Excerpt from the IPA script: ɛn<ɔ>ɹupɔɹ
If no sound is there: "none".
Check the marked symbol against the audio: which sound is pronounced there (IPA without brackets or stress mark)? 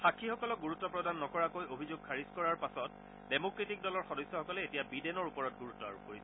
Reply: ɔ